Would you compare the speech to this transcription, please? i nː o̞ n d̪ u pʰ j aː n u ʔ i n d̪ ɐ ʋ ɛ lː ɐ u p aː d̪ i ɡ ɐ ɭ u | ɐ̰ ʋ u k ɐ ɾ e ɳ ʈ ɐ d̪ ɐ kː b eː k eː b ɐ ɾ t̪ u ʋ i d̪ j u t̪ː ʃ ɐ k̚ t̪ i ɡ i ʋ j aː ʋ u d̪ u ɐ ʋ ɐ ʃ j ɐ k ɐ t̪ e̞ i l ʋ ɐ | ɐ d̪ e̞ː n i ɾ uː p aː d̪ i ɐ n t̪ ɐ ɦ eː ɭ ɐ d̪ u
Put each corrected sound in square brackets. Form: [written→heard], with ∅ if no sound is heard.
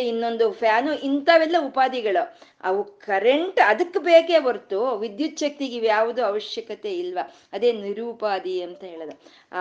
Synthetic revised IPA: i nː o̞ n d̪ u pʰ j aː n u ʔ i n [d̪→t̪] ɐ ʋ ɛ lː ɐ u p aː d̪ i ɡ ɐ ɭ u | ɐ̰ ʋ u k ɐ ɾ e ɳ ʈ ɐ d̪ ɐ kː b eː k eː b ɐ ɾ t̪ u ʋ i d̪ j u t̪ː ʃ ɐ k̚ t̪ i ɡ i ʋ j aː ʋ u d̪ u ɐ ʋ ɐ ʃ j ɐ k ɐ t̪ e̞ i l ʋ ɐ | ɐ d̪ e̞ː n i ɾ uː p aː d̪ i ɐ n t̪ ɐ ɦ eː ɭ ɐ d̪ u